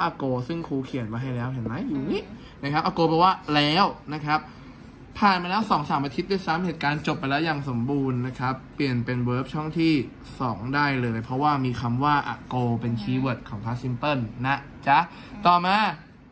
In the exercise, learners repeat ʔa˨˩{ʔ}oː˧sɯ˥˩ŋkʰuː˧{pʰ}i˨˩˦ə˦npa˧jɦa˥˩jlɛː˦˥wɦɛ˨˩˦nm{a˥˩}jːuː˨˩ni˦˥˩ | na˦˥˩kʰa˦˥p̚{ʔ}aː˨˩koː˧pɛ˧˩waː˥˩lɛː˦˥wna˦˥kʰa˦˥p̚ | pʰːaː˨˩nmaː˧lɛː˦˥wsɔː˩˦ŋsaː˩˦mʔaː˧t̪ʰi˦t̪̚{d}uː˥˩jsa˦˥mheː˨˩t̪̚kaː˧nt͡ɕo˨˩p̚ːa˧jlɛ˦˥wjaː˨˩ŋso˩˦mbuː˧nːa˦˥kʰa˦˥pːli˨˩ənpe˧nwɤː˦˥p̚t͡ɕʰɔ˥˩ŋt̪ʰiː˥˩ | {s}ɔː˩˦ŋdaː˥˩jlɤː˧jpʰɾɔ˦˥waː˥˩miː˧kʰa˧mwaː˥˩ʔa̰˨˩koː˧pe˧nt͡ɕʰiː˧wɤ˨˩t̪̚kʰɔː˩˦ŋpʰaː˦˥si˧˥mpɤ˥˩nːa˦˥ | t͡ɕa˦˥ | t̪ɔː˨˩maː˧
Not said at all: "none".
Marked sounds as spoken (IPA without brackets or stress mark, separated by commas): k, kʰ, a˦˥, ʔ, d, s